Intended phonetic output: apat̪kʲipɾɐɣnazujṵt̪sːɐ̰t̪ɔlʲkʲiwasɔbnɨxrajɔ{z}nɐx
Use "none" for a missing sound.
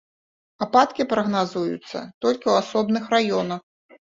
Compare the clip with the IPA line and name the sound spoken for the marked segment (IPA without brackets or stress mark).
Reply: none